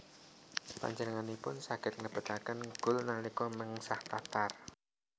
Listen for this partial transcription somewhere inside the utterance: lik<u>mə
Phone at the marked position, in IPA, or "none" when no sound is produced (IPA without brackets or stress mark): ɔ